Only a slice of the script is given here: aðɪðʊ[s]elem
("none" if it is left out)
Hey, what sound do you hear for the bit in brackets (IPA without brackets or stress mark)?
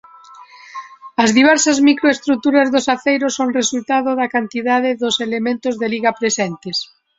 s